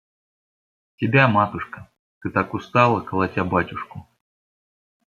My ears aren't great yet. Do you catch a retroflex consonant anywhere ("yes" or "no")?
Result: yes